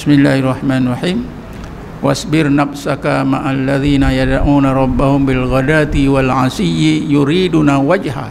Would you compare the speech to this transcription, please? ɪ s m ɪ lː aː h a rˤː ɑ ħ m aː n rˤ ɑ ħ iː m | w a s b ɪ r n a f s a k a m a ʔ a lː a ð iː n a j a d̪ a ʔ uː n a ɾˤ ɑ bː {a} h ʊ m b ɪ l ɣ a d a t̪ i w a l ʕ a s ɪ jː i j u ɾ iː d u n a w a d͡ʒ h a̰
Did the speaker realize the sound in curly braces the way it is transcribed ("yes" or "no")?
yes